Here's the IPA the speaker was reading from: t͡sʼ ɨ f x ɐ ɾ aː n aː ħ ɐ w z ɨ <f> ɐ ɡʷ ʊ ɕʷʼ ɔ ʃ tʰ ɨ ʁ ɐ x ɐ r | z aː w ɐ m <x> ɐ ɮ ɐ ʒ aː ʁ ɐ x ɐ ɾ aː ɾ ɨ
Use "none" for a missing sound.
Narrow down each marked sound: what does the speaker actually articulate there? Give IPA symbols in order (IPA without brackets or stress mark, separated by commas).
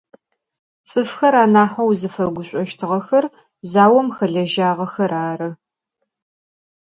f, x